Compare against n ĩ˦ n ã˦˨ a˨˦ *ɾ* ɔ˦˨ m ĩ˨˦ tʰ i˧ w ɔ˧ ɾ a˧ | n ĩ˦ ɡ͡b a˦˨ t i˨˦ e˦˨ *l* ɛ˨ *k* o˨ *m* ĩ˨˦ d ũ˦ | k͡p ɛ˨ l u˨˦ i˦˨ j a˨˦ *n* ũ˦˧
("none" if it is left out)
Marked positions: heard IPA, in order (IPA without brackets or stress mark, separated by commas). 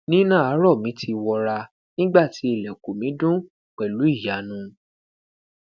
ɾ, l, k, m, n